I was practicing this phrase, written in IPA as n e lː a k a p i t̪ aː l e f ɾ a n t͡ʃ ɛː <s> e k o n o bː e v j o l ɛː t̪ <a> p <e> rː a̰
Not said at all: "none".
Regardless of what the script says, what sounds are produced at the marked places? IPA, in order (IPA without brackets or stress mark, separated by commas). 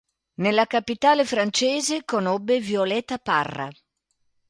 z, a, a